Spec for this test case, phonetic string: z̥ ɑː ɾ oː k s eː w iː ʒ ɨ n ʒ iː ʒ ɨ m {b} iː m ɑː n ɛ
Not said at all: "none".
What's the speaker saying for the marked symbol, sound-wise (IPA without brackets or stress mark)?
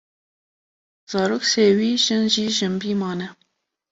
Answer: b